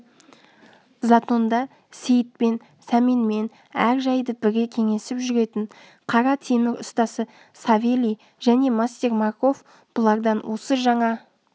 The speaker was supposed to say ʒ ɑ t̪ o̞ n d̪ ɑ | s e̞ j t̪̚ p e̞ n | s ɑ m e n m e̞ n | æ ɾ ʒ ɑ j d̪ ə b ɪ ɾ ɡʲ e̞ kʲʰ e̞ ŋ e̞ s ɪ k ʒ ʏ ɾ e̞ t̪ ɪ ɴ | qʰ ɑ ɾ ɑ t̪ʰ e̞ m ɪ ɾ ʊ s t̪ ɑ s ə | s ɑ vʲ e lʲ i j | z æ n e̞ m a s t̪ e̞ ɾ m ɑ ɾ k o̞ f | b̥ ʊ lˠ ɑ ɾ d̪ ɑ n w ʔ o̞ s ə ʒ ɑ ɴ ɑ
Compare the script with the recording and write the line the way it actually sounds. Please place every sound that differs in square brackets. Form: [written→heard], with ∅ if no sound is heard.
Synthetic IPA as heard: [ʒ→z] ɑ t̪ o̞ n d̪ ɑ | s e̞ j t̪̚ p e̞ n | s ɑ m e n m e̞ n | æ ɾ ʒ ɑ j d̪ ə b ɪ ɾ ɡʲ e̞ kʲʰ e̞ ŋ e̞ s ɪ [k→p] ʒ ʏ ɾ e̞ t̪ ɪ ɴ | qʰ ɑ ɾ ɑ t̪ʰ e̞ m ɪ ɾ ʊ s t̪ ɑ s ə | s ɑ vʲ e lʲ i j | [z→ʒ] æ n e̞ m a s t̪ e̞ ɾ m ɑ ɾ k o̞ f | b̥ ʊ lˠ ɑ ɾ d̪ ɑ n w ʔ o̞ s ə ʒ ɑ ɴ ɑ